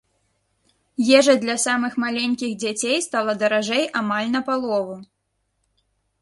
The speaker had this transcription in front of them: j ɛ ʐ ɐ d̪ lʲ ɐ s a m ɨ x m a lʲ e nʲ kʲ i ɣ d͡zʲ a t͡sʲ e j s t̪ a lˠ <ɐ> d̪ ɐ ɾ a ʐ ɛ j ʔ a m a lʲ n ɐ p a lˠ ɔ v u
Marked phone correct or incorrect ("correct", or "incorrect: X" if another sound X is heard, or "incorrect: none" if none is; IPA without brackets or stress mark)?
correct